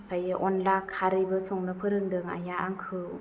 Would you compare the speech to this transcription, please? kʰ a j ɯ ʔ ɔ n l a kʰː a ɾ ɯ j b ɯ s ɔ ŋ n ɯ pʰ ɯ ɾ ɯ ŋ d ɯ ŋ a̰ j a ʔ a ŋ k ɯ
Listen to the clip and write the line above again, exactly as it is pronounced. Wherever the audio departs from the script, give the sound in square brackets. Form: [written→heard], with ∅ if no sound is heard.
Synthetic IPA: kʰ a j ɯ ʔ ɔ n l a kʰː a ɾ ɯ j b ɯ s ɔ ŋ n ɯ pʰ ɯ ɾ ɯ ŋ d ɯ ŋ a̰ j a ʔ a ŋ [k→kʰ] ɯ